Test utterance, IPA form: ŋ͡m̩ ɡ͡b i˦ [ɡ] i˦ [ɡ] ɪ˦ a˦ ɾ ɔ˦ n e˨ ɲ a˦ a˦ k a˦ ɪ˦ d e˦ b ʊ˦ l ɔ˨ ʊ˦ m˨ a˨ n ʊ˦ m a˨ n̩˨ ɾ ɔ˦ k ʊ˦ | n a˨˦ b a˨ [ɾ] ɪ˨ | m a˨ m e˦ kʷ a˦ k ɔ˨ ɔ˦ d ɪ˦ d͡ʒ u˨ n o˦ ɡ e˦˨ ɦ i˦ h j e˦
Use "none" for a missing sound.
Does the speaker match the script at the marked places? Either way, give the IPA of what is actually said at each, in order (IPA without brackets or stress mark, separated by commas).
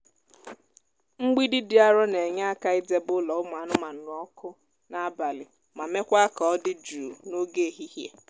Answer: d, d, l